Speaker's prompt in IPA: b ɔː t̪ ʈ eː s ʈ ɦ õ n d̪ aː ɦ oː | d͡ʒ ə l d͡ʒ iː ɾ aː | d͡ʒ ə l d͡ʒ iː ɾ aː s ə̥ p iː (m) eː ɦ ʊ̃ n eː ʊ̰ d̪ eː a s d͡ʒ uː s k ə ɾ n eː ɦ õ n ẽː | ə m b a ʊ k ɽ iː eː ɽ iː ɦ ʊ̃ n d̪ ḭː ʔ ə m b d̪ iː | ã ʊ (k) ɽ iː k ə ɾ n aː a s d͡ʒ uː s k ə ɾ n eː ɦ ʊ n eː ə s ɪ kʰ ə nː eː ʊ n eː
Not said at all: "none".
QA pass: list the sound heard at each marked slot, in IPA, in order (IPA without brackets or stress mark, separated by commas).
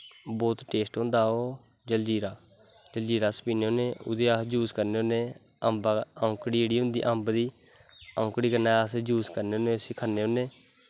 n, k